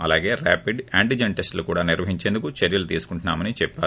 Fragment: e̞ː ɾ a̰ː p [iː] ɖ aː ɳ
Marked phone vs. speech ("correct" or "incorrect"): incorrect